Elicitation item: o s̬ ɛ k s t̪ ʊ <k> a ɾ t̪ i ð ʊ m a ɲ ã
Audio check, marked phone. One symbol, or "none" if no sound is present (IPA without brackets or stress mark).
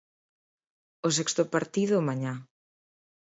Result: p